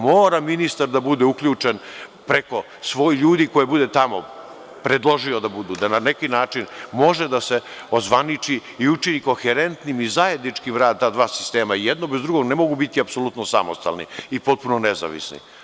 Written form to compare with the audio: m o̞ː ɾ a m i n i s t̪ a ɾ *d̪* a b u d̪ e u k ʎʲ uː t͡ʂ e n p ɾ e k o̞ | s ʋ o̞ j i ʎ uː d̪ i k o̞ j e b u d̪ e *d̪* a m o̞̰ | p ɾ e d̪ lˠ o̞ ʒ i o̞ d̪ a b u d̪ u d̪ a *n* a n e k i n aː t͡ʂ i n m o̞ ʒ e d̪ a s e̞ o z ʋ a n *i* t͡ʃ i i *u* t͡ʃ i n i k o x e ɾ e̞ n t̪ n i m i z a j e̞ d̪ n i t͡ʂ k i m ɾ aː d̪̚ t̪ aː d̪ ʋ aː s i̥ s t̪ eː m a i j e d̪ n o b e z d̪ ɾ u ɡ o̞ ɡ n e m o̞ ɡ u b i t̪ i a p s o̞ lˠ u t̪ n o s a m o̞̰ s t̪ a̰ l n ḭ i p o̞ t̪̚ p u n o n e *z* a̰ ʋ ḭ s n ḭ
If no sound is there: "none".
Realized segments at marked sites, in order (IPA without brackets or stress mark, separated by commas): d̪, t̪, n, i, u, z